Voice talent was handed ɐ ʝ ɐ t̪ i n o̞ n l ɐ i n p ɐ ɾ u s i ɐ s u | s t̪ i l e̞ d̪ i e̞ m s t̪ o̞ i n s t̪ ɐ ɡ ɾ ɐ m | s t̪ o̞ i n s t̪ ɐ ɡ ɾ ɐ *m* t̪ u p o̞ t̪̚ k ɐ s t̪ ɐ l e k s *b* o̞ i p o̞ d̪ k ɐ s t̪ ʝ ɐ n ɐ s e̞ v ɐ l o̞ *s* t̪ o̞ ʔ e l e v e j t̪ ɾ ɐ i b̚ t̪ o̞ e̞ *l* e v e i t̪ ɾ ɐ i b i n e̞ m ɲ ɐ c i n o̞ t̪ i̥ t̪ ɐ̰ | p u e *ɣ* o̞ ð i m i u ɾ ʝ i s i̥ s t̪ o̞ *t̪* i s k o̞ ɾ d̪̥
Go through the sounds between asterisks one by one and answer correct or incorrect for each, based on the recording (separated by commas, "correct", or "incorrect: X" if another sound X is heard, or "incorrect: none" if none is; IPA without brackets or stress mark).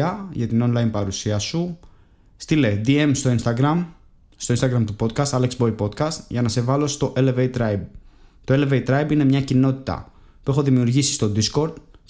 correct, correct, correct, correct, incorrect: x, incorrect: d̪